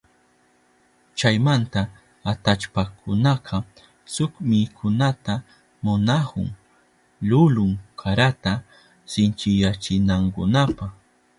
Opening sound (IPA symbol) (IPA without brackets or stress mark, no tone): t͡ʃ